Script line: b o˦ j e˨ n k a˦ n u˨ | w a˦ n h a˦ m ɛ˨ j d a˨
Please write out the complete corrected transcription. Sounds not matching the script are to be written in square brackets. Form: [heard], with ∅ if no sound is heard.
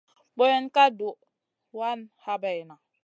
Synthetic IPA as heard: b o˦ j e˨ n k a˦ [d] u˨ | w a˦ n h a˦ [b] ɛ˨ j [n] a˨